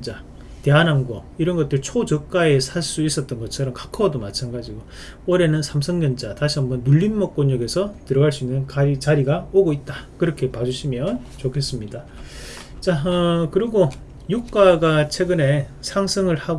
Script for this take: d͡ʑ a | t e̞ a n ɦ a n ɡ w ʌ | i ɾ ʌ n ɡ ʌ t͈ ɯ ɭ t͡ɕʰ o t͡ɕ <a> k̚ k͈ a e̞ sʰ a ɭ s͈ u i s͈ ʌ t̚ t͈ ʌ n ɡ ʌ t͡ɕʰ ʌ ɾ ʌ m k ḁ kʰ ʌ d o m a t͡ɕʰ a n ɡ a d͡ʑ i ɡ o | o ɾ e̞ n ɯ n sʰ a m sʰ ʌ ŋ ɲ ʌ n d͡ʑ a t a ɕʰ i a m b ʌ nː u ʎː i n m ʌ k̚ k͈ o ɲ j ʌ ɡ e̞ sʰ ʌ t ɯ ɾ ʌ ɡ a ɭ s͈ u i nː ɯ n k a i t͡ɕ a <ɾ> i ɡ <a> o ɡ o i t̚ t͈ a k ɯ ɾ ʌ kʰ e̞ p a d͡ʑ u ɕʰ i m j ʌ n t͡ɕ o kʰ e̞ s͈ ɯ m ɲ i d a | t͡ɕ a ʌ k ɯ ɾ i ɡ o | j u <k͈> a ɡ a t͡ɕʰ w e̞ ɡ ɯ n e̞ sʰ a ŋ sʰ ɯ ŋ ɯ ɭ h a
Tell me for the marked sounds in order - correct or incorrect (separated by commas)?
incorrect, correct, correct, correct